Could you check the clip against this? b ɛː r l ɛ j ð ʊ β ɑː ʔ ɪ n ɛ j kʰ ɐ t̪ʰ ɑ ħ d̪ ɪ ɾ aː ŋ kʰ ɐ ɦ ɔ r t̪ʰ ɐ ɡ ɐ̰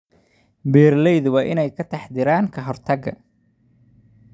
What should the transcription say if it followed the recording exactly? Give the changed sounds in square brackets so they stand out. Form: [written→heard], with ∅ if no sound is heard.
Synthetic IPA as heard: b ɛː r l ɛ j ð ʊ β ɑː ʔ ɪ n ɛ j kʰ ɐ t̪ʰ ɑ ħ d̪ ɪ ɾ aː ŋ kʰ ɐ ɦ ɔ r t̪ʰ ɐ ɡ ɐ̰